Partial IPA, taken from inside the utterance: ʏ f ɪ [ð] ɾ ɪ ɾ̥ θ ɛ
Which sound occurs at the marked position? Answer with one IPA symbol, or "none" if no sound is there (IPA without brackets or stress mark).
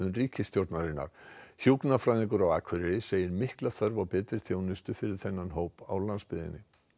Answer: none